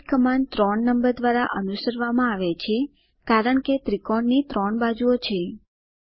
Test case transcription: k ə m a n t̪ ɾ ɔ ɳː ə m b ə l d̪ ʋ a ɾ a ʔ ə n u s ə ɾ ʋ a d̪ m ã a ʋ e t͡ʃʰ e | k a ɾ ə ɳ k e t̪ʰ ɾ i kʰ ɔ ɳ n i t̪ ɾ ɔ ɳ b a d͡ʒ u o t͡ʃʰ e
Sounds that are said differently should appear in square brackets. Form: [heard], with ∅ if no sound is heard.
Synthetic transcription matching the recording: k ə m a n t̪ ɾ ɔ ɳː ə m b ə [ɾ] d̪ ʋ a ɾ a ʔ ə n u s ə ɾ ʋ a [∅] m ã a ʋ e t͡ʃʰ e | k a ɾ ə ɳ k e [t̪] ɾ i [k] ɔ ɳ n i t̪ ɾ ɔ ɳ b a d͡ʒ u o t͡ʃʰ e